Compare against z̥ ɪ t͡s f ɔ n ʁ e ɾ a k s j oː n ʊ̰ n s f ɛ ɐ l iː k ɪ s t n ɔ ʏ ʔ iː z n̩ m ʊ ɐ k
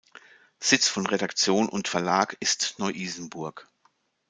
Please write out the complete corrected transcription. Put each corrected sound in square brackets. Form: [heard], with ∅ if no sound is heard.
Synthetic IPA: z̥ ɪ t͡s f ɔ n ʁ e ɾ a k [t͡s] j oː n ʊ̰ n [t] f ɛ ɐ l [aː] k ɪ s t n ɔ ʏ ʔ iː z n̩ [b] ʊ ɐ k